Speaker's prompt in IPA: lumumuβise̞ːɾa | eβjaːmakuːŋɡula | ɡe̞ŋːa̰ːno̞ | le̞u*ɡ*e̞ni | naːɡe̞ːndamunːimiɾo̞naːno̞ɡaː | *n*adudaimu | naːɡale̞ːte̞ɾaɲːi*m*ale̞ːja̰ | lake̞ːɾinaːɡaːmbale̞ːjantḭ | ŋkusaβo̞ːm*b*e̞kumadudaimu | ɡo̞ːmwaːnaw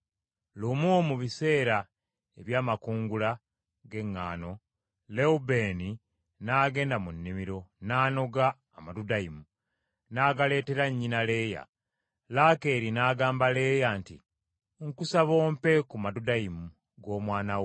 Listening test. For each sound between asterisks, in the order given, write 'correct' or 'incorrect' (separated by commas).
incorrect, incorrect, incorrect, incorrect